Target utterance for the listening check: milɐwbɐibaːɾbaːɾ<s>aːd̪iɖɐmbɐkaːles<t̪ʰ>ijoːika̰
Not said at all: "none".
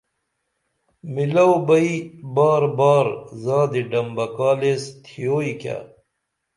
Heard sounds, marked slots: z, t̪ʰ

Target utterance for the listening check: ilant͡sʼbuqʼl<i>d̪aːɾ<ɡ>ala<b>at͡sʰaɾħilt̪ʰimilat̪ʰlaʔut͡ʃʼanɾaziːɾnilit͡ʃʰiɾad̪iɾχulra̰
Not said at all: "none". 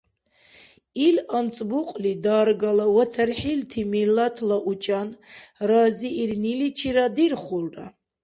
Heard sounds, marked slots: i, ɡ, w

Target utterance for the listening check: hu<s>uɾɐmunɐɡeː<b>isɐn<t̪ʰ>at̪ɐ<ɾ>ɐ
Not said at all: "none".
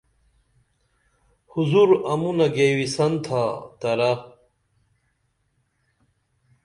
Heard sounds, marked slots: z, w, t̪ʰ, ɾ

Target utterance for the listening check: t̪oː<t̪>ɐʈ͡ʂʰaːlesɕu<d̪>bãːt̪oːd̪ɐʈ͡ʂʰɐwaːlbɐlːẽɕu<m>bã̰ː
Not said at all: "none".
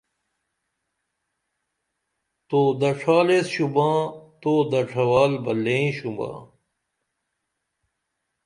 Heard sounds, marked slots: d̪, none, m

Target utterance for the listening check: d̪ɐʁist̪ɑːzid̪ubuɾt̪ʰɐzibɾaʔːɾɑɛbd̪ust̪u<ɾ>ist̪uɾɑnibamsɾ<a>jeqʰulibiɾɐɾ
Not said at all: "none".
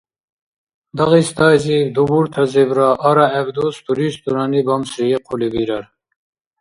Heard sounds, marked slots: ɾ, i

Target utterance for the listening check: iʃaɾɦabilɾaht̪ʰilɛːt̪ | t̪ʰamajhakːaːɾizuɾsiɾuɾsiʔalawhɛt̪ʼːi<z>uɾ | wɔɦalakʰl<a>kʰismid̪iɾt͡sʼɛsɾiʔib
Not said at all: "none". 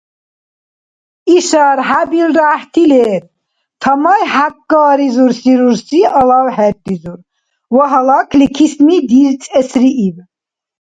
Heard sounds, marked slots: z, i

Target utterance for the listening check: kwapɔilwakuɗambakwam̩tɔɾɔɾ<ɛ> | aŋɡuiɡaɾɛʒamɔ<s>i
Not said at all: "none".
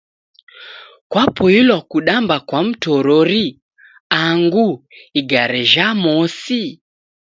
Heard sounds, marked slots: i, s

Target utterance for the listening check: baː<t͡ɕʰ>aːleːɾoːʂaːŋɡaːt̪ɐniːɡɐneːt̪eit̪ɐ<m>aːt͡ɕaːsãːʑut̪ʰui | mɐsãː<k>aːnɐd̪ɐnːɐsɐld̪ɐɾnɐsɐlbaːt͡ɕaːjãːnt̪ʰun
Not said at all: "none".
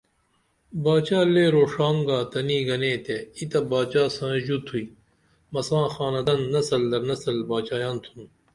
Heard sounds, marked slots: t͡ɕ, b, x

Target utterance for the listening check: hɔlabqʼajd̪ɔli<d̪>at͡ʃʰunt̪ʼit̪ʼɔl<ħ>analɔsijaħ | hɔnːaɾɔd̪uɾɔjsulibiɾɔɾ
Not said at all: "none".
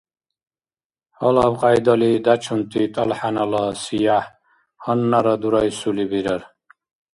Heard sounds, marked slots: d̪, ħ

